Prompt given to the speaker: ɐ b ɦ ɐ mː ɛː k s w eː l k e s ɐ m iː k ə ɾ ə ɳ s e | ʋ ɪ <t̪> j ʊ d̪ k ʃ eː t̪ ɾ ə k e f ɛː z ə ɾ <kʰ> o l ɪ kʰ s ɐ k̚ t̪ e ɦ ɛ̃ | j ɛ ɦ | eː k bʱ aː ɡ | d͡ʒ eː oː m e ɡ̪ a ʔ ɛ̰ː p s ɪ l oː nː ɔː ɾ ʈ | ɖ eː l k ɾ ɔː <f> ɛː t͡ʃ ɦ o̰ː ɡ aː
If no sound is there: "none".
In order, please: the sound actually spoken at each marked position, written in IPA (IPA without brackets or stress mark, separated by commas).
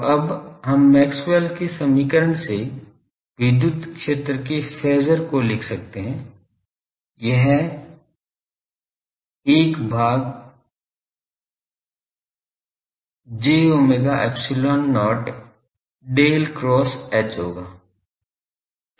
d̪, k, s